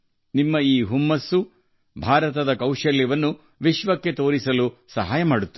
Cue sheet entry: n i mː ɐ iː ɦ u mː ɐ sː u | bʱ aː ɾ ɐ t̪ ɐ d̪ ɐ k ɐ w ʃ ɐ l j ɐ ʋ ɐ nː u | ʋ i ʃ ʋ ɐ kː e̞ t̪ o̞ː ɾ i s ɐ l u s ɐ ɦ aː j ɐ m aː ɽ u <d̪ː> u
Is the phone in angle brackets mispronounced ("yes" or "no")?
yes